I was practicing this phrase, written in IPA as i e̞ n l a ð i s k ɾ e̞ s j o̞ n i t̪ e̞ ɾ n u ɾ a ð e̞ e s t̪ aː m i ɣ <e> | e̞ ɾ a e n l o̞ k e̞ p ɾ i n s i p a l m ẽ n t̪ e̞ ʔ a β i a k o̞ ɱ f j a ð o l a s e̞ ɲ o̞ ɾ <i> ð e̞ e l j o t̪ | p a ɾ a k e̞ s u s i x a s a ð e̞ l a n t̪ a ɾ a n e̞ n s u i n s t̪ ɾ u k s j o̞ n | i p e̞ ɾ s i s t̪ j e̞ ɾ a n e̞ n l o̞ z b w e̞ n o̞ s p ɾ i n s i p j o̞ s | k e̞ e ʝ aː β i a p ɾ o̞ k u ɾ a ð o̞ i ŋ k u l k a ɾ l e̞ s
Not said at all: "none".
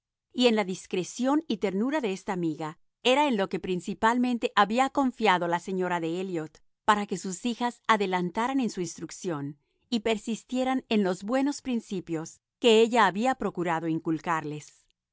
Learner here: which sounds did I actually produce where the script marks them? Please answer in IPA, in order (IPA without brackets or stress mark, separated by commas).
a, a